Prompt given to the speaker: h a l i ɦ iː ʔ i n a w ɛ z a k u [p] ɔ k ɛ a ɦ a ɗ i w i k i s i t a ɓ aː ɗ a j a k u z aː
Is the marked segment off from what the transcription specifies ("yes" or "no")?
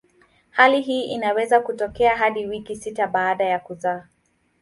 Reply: yes